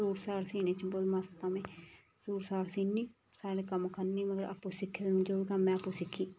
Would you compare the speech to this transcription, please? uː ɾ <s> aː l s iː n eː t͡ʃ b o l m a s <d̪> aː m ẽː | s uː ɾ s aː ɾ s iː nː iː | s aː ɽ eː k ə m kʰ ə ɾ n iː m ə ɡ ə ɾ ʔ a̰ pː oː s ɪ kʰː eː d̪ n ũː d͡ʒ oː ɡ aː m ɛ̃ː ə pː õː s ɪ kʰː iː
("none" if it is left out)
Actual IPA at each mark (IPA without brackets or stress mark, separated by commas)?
s, t̪